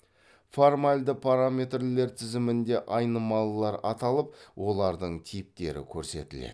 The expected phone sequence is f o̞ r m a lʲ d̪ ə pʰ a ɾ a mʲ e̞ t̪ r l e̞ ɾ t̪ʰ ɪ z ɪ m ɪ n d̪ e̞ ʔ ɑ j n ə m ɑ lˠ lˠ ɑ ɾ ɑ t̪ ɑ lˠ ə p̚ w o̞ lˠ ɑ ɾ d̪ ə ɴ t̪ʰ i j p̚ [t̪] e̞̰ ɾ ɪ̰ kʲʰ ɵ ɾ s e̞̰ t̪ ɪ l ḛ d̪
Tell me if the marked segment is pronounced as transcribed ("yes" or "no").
yes